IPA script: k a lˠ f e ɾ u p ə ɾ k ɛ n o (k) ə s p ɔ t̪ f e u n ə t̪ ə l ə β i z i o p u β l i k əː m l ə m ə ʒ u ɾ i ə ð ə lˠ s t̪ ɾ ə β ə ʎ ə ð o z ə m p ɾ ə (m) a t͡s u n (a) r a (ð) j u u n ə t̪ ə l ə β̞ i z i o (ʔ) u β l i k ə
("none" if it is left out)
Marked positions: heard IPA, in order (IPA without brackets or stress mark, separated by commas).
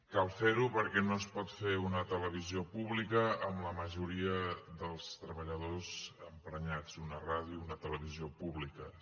none, ɲ, ə, ð, p